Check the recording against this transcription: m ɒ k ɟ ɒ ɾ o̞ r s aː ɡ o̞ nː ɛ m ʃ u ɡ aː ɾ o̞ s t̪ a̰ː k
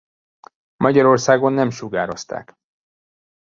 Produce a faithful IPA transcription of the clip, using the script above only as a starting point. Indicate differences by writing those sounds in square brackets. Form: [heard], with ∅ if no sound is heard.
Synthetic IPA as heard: m ɒ [∅] ɟ ɒ ɾ o̞ r s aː ɡ o̞ nː ɛ m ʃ u ɡ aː ɾ o̞ s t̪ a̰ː k